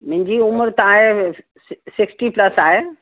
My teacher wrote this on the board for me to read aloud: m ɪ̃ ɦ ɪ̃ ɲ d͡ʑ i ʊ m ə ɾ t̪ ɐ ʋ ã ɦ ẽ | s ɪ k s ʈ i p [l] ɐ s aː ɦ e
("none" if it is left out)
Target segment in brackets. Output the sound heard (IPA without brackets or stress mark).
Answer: l